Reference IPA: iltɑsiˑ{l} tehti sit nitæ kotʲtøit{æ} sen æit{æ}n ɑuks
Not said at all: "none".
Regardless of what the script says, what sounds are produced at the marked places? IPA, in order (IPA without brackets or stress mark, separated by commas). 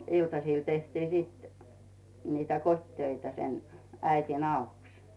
l, æ, i